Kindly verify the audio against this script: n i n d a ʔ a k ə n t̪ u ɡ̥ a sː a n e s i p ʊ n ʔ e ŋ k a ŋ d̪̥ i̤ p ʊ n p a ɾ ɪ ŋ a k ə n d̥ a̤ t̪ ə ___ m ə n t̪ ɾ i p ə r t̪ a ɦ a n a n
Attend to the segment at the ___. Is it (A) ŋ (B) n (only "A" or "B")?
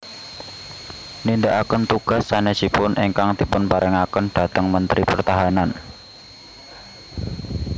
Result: A